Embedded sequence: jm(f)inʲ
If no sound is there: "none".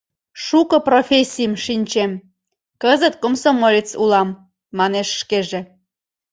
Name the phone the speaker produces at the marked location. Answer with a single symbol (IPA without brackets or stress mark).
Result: ʃ